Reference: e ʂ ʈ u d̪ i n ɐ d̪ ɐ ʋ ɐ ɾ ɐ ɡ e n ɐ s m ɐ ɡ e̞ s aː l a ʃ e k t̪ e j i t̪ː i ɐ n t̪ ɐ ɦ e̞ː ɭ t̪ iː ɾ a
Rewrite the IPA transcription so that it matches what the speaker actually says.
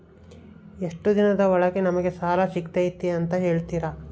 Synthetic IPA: e ʂ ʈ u d̪ i n ɐ d̪ ɐ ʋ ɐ ɭ ɐ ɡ e n ɐ m ɐ ɡ e̞ s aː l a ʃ i k t̪ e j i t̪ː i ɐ n t̪ ɐ ɦ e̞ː ɭ t̪ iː ɾ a